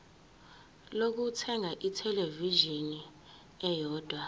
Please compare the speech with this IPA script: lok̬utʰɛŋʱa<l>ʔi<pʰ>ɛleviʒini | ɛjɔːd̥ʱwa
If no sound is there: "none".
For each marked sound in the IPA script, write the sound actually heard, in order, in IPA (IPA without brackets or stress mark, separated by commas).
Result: none, tʰ